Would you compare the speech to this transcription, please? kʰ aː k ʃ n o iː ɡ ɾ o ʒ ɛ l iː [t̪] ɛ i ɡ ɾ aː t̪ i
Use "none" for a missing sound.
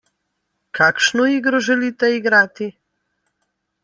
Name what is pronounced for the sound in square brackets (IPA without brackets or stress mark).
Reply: t̪